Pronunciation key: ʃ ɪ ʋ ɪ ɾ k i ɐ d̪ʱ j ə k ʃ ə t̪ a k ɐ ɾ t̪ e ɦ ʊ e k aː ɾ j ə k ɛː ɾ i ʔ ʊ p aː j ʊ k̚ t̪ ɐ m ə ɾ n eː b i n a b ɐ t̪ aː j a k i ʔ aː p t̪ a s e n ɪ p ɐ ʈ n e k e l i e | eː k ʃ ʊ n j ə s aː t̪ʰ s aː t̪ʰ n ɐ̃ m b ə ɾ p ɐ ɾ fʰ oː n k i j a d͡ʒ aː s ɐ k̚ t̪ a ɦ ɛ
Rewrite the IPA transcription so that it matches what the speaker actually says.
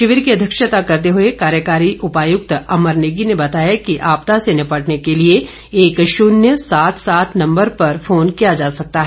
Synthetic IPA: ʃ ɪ ʋ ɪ ɾ k i ɐ d̪ʱ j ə k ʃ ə t̪ a k ɐ ɾ t̪ e ɦ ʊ e k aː ɾ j ə k aː ɾ i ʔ ʊ p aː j ʊ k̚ t̪ ɐ m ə ɾ n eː ɡ i n e b ɐ t̪ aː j a k i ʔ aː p t̪ a s e n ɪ p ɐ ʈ n e k e l i e | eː k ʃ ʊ n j ə s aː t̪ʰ s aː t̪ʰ n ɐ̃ m b ə ɾ p ɐ ɾ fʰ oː n k i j a d͡ʒ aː s ɐ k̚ t̪ a ɦ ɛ